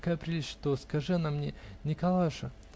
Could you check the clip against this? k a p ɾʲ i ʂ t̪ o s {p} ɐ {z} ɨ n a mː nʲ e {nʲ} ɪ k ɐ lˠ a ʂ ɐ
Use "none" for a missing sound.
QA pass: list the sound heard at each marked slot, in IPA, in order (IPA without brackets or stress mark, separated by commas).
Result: k, ʐ, nʲ